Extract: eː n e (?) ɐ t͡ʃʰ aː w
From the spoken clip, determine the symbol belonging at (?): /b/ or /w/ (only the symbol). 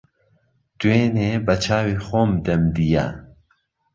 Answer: b